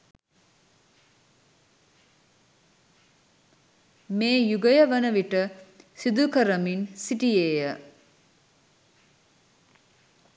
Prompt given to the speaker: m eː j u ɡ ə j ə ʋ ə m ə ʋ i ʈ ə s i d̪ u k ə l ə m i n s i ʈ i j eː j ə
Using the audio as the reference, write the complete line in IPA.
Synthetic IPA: m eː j u ɡ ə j ə ʋ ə n ə ʋ i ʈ ə s i d̪ u k ə ɾ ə m i n s i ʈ i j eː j ə

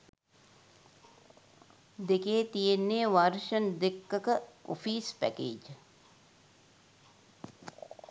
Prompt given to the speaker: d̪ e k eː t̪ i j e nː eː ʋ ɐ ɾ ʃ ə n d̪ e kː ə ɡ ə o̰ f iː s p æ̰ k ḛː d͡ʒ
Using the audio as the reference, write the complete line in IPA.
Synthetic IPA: d̪ e k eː t̪ i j e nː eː ʋ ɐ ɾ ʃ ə n d̪ e kː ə k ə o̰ f iː s p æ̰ k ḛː d͡ʒ

